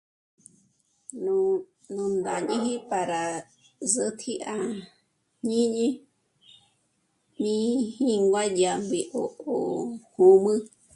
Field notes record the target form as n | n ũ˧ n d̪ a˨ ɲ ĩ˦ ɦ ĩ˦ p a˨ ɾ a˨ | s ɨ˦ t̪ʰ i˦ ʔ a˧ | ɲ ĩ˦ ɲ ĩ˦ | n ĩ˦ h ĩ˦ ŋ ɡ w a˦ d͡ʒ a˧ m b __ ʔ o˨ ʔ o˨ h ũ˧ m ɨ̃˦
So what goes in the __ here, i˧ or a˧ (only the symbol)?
i˧